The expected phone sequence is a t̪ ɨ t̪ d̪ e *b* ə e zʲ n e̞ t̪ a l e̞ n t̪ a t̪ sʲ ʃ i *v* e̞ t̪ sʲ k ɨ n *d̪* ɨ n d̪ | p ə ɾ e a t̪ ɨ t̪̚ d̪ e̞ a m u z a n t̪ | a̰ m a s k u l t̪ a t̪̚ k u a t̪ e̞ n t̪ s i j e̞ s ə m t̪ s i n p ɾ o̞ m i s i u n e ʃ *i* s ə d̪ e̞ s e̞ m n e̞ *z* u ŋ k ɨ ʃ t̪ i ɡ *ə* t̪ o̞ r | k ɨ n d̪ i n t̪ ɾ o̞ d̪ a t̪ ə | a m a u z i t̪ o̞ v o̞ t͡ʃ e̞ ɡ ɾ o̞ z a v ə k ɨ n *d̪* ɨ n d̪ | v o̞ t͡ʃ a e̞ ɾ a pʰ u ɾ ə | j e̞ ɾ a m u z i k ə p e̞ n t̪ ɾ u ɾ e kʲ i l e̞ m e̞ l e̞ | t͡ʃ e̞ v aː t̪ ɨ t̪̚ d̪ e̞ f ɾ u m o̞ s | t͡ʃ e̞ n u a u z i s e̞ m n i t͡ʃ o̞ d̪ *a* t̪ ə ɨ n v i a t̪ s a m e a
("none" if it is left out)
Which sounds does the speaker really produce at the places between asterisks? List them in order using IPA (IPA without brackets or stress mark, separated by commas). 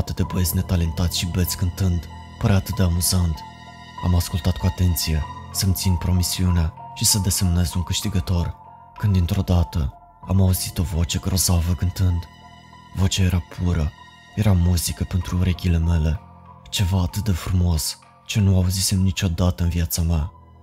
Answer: b, b, t̪, i, z, ə, t̪, a